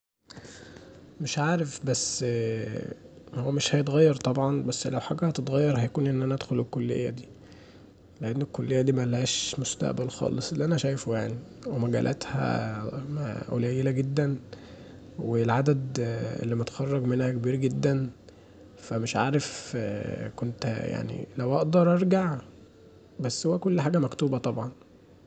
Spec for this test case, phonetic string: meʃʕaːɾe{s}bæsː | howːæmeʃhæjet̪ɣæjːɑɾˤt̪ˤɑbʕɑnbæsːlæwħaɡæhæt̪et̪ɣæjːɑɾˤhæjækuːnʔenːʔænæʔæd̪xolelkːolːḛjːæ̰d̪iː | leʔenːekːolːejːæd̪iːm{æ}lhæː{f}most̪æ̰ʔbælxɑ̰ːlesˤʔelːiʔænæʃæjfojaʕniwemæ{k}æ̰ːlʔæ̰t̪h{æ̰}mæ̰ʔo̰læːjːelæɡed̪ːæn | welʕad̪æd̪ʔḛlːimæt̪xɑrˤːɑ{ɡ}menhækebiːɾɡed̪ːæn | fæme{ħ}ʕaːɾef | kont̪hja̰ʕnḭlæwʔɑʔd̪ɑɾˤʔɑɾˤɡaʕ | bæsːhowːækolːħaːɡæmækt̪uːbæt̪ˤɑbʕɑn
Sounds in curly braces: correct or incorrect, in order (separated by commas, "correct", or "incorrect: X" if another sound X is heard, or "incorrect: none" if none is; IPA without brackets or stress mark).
incorrect: f, correct, incorrect: ʃ, incorrect: ɡ, correct, correct, incorrect: ʃ